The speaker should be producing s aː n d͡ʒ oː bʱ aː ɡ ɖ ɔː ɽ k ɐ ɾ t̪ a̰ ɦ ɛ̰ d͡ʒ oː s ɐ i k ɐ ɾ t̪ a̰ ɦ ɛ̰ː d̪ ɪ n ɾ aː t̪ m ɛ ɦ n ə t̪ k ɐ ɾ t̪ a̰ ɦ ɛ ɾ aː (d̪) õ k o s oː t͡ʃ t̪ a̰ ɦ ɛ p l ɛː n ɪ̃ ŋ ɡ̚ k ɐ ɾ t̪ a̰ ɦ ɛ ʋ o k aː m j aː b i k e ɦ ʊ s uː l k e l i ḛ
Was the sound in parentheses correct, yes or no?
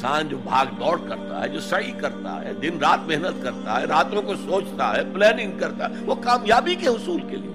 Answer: no